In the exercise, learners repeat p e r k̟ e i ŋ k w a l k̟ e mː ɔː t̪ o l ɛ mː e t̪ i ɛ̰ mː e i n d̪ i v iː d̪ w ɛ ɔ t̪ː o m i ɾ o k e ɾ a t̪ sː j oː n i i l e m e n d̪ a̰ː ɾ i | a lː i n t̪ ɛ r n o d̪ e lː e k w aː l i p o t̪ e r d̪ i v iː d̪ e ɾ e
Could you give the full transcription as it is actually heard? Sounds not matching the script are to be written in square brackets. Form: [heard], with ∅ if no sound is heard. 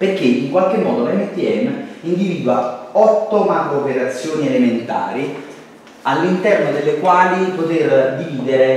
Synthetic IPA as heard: p e r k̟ e i ŋ k w a l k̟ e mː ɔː [d̪] o l ɛ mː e t̪ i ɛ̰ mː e i n d̪ i v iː d̪ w [a] ɔ t̪ː o m [a] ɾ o [p] e ɾ a t̪ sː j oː n i [e] l e m e n [t̪] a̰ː ɾ i | a lː i n t̪ ɛ r n o d̪ e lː e k w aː l i p o t̪ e r d̪ i v iː d̪ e ɾ e

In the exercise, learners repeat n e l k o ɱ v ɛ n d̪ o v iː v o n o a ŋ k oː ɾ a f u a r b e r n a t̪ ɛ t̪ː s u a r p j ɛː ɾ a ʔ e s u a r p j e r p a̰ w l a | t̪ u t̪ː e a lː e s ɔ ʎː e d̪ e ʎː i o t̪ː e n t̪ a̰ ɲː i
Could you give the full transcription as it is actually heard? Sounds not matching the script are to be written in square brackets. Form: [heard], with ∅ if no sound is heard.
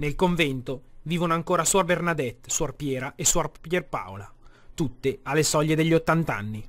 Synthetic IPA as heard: n e l k o ɱ v ɛ n [t̪] o v iː v o n o a ŋ k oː ɾ a [s] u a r b e r n a [d̪] ɛ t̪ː s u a r p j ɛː ɾ a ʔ e s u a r p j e r p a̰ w l a | t̪ u t̪ː e a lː e s ɔ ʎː e d̪ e ʎː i o t̪ː [a] n t̪ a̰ [nː] i

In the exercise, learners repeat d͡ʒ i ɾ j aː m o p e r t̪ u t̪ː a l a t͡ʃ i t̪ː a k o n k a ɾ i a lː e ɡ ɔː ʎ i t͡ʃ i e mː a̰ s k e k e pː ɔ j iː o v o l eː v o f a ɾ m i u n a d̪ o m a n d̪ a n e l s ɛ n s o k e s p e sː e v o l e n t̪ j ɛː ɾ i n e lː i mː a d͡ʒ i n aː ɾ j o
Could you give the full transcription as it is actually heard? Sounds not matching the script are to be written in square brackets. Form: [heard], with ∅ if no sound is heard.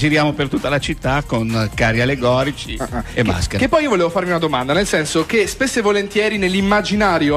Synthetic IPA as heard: d͡ʒ i ɾ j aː m o p e r t̪ u t̪ː a l a t͡ʃ i t̪ː a k o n k a ɾ i a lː e ɡ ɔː [ɾ] i t͡ʃ i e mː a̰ s k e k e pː ɔ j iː o v o l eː v o f a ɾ m i u n a d̪ o m a n d̪ a n e l s ɛ n s o k e s p e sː e v o l e n t̪ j ɛː ɾ i n e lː i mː a d͡ʒ i n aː ɾ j o

